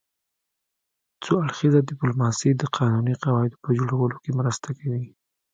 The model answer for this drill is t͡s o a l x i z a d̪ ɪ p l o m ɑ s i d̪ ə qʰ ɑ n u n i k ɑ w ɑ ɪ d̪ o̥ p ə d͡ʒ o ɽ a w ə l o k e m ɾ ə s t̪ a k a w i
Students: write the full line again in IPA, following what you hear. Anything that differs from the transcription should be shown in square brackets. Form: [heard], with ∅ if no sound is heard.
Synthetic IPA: t͡s o a [ɽ] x i z a d̪ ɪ p l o m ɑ s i d̪ ə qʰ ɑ n u n i [q] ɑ w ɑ ɪ d̪ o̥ p ə d͡ʒ o ɽ a w ə l o k e m ɾ ə s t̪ a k a w i

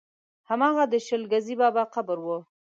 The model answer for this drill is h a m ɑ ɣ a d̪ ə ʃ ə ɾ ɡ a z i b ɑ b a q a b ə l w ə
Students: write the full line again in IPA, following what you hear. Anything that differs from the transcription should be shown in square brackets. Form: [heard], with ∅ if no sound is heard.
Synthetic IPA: h a m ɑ ɣ a d̪ ə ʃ ə [l] ɡ a z i b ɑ b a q a b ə [ɾ] w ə

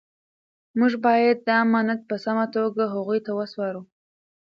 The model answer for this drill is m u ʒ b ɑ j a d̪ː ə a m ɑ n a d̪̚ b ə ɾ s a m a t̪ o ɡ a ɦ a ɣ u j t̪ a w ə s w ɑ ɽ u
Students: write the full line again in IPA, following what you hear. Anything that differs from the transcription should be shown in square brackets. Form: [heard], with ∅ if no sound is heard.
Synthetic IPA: m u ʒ b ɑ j a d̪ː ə a m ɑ n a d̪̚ [p] ə [∅] s a m a t̪ o ɡ a ɦ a ɣ u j t̪ a w ə s w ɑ [ɾ] u

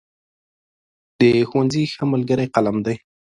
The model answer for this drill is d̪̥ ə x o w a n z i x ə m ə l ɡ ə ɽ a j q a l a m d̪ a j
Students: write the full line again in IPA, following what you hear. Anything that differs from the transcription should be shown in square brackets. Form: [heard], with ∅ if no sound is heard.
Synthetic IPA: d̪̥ ə x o w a n z i x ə m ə l ɡ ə [ɾ] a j q a l a m d̪ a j

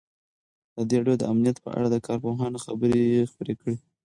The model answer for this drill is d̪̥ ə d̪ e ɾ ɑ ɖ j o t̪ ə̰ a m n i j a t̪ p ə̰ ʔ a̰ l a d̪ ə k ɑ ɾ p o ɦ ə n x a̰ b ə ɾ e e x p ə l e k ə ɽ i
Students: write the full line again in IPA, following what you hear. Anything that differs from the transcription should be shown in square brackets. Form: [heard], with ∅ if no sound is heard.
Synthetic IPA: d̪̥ ə d̪ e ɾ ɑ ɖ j o [d̪] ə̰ a m n i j a t̪ p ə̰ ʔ a̰ [ɽ] a d̪ ə k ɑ ɾ p o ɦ [ɑ] n x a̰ b ə ɾ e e x p ə [ɾ] e k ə ɽ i

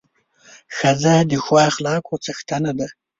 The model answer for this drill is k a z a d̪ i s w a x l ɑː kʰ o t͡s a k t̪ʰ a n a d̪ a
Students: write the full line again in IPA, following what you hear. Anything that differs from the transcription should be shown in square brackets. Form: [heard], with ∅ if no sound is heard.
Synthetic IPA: [x] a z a d̪ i [x] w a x l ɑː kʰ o t͡s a [x] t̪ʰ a n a d̪ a

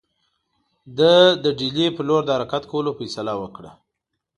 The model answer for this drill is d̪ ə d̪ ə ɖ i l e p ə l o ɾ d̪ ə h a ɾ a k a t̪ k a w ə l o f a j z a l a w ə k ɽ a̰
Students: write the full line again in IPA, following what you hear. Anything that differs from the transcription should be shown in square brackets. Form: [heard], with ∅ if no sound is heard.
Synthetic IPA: d̪ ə d̪ ə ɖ i l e p ə l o ɾ d̪ ə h a ɾ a k a t̪ k a w ə l o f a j [s] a l a w ə k ɽ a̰

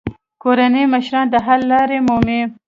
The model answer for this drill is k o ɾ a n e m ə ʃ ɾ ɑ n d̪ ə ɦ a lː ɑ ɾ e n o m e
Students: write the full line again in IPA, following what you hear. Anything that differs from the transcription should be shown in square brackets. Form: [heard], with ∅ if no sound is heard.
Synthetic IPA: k o ɾ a n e m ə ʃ ɾ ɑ n d̪ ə ɦ a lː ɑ ɾ e [m] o m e

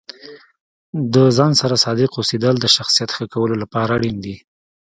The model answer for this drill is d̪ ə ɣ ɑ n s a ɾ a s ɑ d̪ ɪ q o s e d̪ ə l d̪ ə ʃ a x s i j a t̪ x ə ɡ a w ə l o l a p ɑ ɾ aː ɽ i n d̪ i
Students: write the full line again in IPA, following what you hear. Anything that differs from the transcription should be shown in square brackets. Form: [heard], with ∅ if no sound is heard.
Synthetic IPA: d̪ ə [z] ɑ n s a ɾ a s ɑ d̪ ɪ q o s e d̪ ə l d̪ ə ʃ a x s i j a t̪ x ə [k] a w ə l o l a p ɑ ɾ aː ɽ i n d̪ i

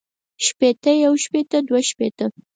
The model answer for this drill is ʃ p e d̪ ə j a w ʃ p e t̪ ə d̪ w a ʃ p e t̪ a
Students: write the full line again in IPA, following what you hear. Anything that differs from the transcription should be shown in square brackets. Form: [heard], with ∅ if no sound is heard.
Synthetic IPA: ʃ p e [t̪] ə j a w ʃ p e t̪ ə d̪ w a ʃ p e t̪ [ə]

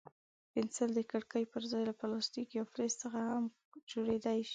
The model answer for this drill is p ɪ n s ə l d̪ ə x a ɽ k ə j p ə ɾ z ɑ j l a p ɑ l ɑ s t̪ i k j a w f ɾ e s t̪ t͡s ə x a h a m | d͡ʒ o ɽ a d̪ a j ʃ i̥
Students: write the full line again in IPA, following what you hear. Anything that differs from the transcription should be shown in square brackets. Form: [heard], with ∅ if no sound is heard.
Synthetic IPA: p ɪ n s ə l d̪ ə [k] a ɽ k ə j p ə ɾ z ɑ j l a p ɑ l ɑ s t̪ i k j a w f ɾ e s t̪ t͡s ə x a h a m | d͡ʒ o ɽ [e] d̪ a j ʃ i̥

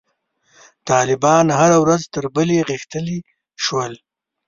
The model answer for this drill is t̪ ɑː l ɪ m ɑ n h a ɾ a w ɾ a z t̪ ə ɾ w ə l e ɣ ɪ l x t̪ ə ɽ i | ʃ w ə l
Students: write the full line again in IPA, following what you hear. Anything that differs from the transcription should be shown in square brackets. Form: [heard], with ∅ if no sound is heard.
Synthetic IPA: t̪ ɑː l ɪ [b] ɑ n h a ɾ a w ɾ a z t̪ ə ɾ [b] ə l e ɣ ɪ [∅] x t̪ ə [l] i | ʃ w ə l

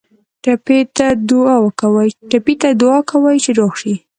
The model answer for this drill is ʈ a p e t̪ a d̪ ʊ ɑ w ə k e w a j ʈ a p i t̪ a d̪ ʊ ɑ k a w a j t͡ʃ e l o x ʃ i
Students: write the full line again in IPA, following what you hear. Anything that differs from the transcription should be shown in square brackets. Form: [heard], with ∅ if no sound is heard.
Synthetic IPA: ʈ a p e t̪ a d̪ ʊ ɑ w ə k [a] w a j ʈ a p i t̪ a d̪ ʊ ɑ k a w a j t͡ʃ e [ɾ] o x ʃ i

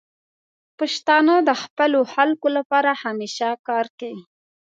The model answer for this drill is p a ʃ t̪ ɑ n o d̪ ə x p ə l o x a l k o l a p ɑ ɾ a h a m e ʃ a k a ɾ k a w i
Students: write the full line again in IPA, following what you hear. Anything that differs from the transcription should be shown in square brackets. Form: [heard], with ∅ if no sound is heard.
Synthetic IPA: p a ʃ t̪ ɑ n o d̪ ə x p ə l o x a l k o l a p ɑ ɾ a h a m e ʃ a k [ɑ] ɾ k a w i

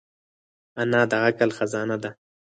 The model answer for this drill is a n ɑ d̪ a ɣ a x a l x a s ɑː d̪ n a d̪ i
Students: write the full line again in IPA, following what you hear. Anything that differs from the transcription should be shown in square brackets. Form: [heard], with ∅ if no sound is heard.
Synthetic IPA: a n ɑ d̪ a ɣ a [k] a l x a [z] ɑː [∅] n a d̪ [a]

